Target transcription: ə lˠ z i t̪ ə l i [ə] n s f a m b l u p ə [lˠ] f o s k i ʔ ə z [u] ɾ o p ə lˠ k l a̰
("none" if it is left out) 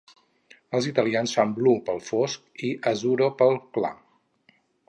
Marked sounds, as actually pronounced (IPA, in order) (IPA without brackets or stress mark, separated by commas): a, lˠ, u